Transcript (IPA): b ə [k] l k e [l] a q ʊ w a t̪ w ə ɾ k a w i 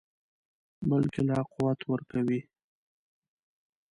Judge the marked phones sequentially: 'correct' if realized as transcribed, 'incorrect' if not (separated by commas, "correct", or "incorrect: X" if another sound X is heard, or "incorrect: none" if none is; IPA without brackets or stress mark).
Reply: incorrect: none, correct